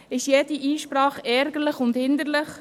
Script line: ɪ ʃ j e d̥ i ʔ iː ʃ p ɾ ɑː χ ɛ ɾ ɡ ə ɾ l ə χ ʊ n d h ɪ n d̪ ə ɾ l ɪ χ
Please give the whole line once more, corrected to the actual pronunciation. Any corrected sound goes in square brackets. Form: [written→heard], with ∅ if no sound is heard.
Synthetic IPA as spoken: ɪ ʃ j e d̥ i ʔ iː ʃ p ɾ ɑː χ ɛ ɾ ɡ ə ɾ l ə χ ʊ n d h ɪ n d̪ ə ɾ l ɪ χ